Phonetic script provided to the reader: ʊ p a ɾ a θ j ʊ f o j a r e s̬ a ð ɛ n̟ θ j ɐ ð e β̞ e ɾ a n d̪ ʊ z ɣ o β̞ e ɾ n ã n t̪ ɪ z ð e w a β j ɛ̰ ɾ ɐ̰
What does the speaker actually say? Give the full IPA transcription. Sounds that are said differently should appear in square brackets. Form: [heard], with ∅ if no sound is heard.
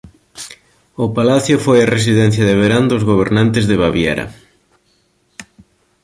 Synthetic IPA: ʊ p a [l] a θ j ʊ f o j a r e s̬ [i] ð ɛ n̟ θ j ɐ ð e β̞ e ɾ a n d̪ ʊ z ɣ o β̞ e ɾ n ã n t̪ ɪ z ð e [β] a β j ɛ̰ ɾ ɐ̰